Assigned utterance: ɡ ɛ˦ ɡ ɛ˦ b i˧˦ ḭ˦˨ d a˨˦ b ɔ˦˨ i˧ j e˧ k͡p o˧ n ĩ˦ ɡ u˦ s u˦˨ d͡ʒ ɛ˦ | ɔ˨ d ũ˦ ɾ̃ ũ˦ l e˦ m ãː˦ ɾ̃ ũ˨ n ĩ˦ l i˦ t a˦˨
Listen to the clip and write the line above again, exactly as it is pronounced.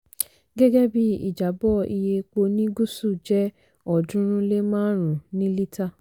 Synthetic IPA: ɡ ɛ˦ ɡ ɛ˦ b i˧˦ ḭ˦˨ d͡ʒ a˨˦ b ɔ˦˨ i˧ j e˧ k͡p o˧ n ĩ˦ ɡ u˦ s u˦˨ d͡ʒ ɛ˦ | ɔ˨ d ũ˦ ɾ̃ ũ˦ l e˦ m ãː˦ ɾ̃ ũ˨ n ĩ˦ l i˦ t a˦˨

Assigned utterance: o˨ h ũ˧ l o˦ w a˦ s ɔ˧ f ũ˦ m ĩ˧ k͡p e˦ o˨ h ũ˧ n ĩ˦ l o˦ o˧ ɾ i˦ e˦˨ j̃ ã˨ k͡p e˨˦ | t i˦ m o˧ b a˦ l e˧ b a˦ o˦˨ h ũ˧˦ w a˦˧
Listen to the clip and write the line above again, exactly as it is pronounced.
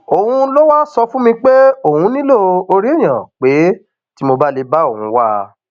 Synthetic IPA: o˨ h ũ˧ l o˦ w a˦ s ɔ˧ f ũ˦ m ĩ˧ k͡p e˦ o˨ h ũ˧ n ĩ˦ l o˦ o˧ ɾ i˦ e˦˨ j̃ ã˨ k͡p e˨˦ | t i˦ m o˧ b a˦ l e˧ b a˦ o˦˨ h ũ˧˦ w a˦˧

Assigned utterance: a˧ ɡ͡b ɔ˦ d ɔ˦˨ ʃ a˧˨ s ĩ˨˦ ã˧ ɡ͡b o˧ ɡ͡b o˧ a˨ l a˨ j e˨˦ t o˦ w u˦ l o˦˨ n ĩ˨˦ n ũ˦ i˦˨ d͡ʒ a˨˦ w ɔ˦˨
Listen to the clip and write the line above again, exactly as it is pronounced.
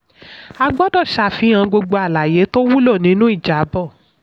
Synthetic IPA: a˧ ɡ͡b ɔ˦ d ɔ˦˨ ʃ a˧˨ f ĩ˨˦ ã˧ ɡ͡b o˧ ɡ͡b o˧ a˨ l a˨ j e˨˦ t o˦ w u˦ l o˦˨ n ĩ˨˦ n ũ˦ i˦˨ d͡ʒ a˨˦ b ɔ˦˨

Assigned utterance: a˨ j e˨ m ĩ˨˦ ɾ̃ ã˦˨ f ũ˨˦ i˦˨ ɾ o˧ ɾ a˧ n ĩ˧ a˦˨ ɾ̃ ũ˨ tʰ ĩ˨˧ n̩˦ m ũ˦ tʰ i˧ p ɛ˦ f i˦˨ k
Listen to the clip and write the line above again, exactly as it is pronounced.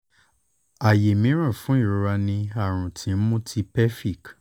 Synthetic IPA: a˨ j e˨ m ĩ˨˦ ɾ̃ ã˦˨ f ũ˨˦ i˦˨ ɾ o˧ ɾ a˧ n ĩ˧ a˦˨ ɾ̃ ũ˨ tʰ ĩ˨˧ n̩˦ m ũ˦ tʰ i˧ p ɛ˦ f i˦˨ k

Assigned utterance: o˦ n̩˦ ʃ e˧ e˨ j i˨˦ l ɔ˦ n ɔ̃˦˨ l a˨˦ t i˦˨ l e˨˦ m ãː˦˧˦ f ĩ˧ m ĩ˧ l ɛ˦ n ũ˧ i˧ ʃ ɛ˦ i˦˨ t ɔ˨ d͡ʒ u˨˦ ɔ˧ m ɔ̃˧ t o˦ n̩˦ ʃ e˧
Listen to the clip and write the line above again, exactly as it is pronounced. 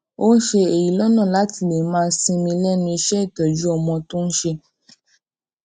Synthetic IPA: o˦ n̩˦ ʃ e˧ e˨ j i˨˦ l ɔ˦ n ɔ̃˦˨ l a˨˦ t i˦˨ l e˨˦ m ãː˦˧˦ s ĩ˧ m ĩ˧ l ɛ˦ n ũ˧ i˧ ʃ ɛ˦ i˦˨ t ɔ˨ d͡ʒ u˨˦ ɔ˧ m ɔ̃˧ t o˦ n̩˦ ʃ e˧

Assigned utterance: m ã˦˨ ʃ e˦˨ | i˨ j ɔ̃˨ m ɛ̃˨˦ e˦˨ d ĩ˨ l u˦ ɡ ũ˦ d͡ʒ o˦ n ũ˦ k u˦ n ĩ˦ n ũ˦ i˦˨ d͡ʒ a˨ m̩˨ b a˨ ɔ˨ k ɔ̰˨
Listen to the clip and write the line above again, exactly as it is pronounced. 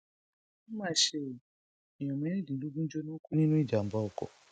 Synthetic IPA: m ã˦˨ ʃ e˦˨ | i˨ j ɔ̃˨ m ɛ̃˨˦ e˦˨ d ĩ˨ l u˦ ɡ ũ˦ d͡ʒ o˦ n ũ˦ k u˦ n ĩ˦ n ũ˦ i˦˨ d͡ʒ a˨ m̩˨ b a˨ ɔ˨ k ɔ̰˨

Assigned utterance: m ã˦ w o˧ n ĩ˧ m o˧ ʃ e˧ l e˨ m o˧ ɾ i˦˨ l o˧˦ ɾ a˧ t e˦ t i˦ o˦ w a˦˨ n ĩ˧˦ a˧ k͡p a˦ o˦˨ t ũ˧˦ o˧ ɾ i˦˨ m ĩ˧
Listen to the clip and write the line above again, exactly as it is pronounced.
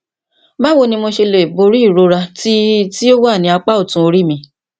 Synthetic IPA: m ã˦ w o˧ n ĩ˧ m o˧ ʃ e˧ l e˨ b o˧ ɾ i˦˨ ɾ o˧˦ ɾ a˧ t i˦ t i˦ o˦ w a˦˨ n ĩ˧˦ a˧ k͡p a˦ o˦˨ t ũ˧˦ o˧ ɾ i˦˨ m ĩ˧

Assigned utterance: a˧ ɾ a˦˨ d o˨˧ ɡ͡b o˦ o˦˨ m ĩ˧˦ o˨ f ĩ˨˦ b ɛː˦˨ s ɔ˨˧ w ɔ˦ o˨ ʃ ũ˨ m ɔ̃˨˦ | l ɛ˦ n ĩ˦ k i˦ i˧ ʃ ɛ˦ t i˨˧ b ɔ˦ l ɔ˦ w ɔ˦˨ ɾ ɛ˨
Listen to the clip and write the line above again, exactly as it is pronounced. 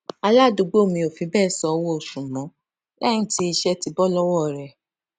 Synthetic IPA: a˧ l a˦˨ d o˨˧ ɡ͡b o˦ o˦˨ m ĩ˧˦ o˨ f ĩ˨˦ b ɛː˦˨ s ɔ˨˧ w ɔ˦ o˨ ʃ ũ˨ m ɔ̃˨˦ | l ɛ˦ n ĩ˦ t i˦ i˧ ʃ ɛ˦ t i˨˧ b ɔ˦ l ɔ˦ w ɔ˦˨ ɾ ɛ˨

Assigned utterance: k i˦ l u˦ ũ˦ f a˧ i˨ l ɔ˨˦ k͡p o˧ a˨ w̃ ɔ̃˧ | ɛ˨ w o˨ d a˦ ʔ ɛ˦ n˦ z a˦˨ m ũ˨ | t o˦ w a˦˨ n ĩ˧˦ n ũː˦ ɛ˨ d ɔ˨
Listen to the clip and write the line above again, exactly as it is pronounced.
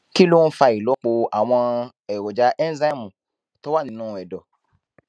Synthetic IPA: k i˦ l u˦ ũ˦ f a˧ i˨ l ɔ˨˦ k͡p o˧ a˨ w̃ ɔ̃˧ | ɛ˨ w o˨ d͡ʒ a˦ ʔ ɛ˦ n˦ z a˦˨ m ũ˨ | t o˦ w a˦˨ n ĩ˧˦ n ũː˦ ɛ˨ d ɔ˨

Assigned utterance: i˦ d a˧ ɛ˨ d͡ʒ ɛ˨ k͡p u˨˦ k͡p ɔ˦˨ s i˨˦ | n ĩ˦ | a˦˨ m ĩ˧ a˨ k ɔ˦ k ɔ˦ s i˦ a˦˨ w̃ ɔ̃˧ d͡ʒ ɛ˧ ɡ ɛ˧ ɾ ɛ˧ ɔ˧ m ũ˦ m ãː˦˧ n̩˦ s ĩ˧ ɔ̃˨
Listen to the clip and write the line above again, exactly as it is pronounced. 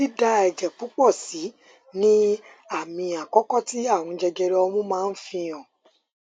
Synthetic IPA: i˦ d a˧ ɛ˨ d͡ʒ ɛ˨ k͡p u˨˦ k͡p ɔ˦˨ s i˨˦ | n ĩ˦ | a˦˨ m ĩ˧ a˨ k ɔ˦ k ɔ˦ t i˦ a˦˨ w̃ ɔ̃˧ d͡ʒ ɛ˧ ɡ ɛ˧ ɾ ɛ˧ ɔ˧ m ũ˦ m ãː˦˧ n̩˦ f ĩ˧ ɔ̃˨

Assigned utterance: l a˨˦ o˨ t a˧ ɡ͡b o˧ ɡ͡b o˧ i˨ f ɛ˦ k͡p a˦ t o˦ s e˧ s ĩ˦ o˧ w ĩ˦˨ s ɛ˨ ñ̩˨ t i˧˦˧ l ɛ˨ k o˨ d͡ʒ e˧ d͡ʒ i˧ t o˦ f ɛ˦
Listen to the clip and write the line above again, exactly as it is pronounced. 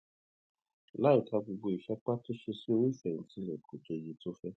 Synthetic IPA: l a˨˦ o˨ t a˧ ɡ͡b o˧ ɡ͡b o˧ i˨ ʃ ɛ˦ k͡p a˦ t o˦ ʃ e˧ s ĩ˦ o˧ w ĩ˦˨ f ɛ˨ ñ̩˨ t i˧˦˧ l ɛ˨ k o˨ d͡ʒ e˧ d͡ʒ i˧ t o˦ f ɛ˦

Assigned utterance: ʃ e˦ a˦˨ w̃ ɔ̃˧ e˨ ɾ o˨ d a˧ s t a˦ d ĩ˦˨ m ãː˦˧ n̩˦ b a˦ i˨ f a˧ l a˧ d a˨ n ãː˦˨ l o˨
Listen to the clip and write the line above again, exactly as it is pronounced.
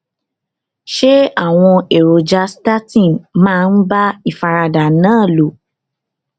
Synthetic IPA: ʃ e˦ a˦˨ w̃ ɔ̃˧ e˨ ɾ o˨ d͡ʒ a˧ s t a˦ t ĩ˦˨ m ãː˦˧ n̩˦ b a˦ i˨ f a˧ ɾ a˧ d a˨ n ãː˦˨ l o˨

